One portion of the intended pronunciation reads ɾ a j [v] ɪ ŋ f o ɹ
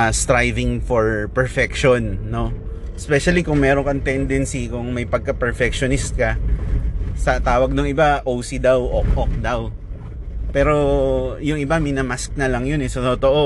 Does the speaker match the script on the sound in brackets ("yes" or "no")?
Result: yes